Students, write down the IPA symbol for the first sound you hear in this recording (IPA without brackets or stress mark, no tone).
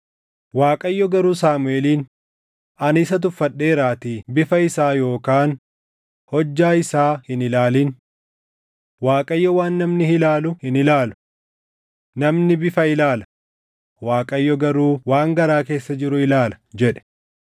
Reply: w